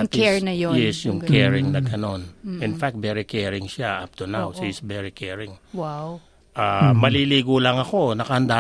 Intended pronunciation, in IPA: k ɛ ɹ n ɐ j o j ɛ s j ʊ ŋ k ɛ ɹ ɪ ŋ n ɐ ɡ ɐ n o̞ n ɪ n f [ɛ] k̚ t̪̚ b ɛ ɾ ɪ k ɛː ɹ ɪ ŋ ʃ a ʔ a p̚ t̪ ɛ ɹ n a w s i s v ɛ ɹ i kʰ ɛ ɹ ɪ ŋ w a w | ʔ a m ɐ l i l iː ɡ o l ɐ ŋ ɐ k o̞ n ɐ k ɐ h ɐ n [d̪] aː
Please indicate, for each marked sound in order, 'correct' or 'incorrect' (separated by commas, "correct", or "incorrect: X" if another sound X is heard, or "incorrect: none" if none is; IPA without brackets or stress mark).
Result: incorrect: a, correct